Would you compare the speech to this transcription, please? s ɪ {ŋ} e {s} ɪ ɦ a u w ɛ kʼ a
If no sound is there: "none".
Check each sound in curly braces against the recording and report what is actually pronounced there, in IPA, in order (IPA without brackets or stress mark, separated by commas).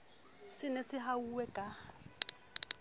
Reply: n, s